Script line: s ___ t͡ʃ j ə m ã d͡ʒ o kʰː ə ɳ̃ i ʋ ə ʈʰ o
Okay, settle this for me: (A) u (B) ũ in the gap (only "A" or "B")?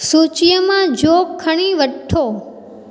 A